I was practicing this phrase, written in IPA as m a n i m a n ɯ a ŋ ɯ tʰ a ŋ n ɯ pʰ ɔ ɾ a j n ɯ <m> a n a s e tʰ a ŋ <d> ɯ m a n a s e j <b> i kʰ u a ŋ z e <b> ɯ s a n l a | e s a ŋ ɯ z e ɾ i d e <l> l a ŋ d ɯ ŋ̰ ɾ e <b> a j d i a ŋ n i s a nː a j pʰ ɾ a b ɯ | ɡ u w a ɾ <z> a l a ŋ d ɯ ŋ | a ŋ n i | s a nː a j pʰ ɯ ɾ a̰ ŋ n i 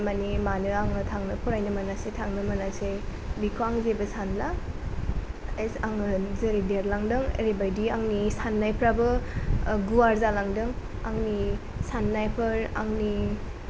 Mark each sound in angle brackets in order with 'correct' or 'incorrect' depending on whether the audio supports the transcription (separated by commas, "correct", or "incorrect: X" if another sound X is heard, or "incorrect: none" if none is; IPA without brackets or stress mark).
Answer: correct, incorrect: n, correct, correct, incorrect: ɾ, correct, correct